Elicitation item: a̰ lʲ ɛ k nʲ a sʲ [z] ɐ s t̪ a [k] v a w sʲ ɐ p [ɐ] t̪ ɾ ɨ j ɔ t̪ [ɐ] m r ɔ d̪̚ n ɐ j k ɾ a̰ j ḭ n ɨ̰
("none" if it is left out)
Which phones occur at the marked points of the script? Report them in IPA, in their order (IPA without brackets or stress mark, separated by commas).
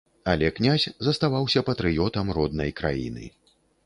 z, none, ɐ, ɐ